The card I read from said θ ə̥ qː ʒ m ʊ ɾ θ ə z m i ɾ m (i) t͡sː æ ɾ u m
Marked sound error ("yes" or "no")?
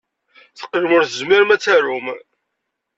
yes